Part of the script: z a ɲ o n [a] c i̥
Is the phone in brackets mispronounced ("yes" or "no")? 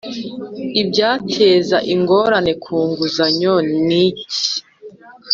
yes